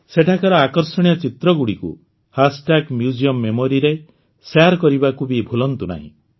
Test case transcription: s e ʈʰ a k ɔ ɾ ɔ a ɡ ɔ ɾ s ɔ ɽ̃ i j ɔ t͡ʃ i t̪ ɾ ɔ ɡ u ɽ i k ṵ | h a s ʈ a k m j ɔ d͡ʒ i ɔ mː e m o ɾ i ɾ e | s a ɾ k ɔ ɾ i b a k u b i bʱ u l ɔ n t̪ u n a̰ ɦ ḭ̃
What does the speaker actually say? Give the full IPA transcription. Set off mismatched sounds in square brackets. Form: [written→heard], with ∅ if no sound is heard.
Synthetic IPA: s e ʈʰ a k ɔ ɾ ɔ a [ɡ→k] ɔ ɾ s ɔ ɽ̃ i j ɔ t͡ʃ i t̪ ɾ ɔ ɡ u ɽ i k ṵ | h a s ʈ a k m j [ɔ→u] d͡ʒ i ɔ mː e m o ɾ i ɾ e | s a ɾ k ɔ ɾ i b a k u b i bʱ u l ɔ n t̪ u n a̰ ɦ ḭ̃